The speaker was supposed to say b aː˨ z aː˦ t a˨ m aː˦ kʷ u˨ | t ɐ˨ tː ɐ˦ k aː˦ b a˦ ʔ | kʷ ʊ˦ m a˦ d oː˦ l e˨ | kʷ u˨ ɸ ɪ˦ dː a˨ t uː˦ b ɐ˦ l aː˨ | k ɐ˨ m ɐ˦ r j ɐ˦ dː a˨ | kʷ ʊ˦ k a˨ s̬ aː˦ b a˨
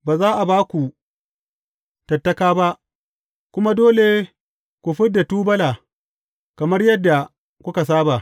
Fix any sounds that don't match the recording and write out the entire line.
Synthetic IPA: b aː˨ z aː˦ ʔ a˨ b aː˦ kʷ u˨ | t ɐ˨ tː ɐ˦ k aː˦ b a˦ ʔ | kʷ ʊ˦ m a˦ d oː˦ l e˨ | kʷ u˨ ɸ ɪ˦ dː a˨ t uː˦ b ɐ˦ l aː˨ | k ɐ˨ m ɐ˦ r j ɐ˦ dː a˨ | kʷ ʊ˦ k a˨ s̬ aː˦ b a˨

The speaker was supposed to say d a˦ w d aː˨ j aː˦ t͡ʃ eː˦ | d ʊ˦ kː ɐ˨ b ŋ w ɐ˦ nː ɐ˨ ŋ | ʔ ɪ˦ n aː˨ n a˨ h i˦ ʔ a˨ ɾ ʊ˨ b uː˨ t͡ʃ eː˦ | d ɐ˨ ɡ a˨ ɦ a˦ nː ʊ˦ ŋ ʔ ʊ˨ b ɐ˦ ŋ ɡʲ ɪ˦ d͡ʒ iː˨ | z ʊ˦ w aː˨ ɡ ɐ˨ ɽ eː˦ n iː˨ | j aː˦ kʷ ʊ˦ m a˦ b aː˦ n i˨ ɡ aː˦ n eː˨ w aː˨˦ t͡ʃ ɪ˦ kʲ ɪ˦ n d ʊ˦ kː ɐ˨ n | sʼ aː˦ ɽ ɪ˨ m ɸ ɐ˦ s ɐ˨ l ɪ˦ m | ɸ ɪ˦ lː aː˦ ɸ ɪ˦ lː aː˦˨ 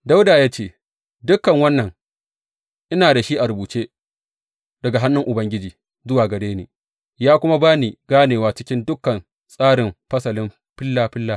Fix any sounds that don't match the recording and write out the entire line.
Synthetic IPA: d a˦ w d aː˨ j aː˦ t͡ʃ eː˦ | d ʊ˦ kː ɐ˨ ŋ w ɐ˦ nː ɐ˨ ŋ | ʔ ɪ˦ n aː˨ d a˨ ʃ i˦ ʔ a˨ ɾ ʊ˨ b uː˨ t͡ʃ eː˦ | d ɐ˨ ɡ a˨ ɦ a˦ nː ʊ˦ ŋ ʔ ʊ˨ b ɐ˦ ŋ ɡʲ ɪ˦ d͡ʒ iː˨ | z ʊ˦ w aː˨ ɡ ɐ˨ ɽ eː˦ n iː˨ | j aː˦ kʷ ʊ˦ m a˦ b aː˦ n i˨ ɡ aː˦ n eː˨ w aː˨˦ t͡ʃ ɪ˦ kʲ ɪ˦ n d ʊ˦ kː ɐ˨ n | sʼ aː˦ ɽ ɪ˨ m ɸ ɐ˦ s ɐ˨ l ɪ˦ m | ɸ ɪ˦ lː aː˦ ɸ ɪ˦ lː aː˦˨

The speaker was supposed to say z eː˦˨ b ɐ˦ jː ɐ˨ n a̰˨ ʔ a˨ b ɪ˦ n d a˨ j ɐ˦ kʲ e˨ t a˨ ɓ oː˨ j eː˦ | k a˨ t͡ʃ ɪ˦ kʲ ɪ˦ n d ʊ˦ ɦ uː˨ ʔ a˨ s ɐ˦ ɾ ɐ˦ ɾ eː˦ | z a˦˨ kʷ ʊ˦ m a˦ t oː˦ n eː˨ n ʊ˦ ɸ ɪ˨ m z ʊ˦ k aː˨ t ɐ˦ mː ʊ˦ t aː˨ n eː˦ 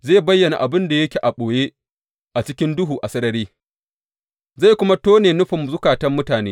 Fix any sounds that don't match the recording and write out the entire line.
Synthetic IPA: z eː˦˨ b ɐ˦ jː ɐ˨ n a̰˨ ʔ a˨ b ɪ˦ n d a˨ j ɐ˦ kʲ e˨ ʔ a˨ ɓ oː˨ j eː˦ | ʔ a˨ t͡ʃ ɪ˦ kʲ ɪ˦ n d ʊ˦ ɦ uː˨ ʔ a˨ s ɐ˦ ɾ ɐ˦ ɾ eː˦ | z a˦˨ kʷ ʊ˦ m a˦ t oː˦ n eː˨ n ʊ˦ ɸ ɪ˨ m z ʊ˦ k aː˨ t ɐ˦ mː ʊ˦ t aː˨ n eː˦

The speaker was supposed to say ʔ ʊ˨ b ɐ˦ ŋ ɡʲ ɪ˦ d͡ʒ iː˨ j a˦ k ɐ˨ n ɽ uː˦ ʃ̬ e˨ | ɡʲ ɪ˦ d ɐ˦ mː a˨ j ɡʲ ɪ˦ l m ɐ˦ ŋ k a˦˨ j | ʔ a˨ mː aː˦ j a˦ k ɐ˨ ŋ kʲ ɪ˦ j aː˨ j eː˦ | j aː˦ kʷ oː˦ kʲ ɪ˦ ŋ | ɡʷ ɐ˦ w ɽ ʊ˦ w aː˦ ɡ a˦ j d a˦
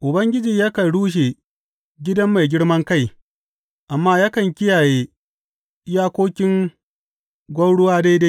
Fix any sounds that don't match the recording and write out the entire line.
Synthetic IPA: ʔ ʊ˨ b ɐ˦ ŋ ɡʲ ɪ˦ d͡ʒ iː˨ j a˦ k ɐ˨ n ɽ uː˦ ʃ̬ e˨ | ɡʲ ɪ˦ d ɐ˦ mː a˨ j ɡʲ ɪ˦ ɽ m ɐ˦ ŋ k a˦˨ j | ʔ a˨ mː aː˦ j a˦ k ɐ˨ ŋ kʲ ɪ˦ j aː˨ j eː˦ | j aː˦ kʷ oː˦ kʲ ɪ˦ ŋ | ɡʷ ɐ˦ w ɽ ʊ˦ w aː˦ d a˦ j d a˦

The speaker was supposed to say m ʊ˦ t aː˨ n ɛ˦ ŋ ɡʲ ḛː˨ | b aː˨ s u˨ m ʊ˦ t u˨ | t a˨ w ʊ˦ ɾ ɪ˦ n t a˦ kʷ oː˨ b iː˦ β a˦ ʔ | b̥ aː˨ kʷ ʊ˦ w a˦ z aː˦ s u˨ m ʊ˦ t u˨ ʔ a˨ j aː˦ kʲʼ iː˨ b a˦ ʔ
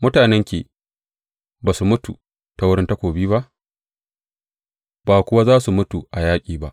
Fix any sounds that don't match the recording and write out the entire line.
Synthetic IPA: m ʊ˦ t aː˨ n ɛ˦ ŋ kʲ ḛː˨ | b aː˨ s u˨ m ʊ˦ t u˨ | t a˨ w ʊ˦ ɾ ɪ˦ n t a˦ kʷ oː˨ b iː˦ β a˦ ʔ | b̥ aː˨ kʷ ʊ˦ w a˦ z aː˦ s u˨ m ʊ˦ t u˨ ʔ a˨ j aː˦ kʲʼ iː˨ b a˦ ʔ

